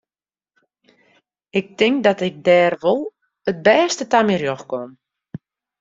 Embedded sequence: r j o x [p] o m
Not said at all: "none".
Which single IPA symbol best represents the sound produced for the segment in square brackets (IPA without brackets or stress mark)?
k